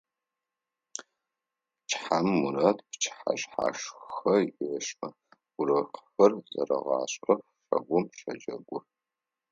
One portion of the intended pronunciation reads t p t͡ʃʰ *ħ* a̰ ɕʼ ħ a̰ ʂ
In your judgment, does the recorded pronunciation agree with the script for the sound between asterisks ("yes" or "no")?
yes